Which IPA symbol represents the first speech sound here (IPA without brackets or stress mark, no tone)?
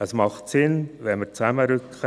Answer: ə